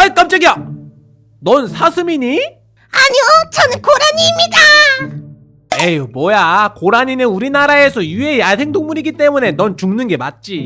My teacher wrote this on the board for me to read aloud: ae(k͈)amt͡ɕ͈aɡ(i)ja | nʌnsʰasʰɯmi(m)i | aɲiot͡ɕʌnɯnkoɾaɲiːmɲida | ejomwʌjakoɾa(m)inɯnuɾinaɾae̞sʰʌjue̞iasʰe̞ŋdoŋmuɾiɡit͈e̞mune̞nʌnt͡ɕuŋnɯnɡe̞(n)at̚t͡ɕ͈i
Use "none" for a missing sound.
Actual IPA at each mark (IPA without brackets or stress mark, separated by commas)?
k͈, i, ɲ, ɲ, m